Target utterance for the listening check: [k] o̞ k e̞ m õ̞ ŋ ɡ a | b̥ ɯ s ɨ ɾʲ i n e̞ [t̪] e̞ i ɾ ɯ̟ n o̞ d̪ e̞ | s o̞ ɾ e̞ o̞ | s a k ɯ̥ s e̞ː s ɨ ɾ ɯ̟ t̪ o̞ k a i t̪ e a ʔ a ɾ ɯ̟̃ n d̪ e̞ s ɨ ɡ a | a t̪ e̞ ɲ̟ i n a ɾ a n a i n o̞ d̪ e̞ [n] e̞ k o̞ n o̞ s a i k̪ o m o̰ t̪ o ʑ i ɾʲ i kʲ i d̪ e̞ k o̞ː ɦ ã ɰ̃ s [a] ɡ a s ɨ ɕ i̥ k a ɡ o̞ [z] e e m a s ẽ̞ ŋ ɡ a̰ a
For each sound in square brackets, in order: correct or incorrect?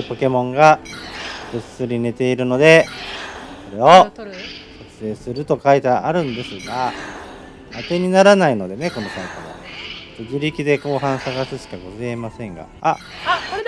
incorrect: p, correct, correct, correct, correct

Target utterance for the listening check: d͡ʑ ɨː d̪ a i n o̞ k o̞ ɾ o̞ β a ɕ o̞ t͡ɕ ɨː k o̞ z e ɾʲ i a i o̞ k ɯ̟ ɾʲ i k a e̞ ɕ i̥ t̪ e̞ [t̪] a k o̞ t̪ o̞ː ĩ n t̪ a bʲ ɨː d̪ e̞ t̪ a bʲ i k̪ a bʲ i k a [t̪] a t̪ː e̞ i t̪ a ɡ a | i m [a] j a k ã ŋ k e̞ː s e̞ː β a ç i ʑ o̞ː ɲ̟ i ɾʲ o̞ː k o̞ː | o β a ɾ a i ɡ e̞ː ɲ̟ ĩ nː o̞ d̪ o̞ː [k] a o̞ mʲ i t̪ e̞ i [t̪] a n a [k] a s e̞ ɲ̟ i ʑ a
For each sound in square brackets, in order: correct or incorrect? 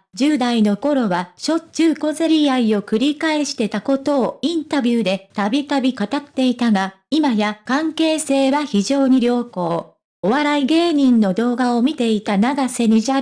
correct, correct, correct, incorrect: ɡ, correct, incorrect: ɡ

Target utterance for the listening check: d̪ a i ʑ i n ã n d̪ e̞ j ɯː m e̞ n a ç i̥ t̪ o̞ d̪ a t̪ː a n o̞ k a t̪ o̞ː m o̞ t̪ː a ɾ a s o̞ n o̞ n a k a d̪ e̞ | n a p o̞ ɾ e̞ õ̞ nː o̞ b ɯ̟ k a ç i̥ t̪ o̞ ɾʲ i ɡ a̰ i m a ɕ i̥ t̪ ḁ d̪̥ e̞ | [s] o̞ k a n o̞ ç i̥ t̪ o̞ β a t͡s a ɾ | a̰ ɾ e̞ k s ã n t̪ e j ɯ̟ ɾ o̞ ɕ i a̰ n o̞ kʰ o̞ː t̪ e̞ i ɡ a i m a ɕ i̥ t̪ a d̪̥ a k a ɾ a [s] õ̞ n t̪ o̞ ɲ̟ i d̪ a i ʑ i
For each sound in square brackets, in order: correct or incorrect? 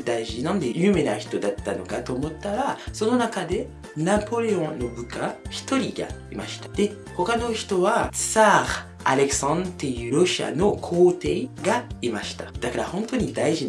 incorrect: h, incorrect: h

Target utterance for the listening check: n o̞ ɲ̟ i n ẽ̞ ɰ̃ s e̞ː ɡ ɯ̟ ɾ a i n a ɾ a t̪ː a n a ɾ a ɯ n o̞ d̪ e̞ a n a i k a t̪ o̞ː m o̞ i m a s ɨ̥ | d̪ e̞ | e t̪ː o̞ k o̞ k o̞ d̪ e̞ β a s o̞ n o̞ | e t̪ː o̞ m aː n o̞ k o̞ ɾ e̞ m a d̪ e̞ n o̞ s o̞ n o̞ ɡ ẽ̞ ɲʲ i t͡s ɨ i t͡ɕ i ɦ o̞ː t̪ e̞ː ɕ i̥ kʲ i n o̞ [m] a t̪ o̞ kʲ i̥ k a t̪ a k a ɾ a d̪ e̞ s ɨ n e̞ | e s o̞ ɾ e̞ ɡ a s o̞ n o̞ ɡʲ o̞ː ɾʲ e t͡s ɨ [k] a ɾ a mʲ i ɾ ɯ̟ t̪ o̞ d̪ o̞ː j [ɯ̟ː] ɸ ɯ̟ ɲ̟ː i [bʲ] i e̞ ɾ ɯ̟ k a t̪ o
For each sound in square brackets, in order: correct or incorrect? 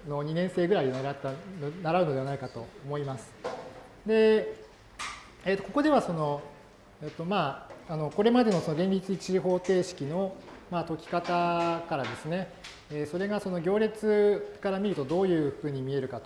correct, correct, correct, incorrect: mʲ

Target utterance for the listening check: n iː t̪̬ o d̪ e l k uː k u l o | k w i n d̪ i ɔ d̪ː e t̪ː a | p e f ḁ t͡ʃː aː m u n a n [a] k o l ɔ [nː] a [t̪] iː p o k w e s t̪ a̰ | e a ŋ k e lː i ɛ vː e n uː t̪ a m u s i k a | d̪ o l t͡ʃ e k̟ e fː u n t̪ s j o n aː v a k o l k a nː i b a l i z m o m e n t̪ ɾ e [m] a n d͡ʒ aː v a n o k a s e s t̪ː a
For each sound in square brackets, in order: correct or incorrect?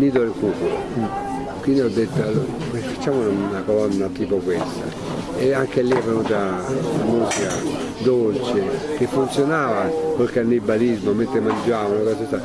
correct, correct, correct, correct

